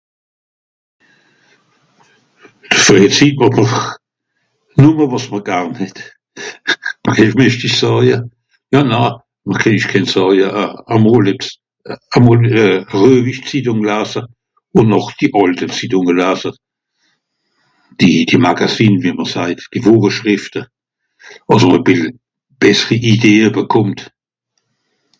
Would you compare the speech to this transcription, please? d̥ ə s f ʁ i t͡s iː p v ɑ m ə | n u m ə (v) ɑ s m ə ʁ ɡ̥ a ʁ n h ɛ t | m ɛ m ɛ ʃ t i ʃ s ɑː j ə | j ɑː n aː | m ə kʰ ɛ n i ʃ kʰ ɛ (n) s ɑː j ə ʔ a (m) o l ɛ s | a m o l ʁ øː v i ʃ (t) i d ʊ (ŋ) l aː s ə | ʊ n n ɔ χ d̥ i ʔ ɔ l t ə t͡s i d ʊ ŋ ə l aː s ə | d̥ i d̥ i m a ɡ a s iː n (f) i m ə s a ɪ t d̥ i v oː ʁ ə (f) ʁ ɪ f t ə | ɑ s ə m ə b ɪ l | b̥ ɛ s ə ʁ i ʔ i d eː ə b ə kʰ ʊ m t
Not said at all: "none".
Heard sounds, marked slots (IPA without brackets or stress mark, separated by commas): v, n, m, t͡s, ŋ, v, ʃ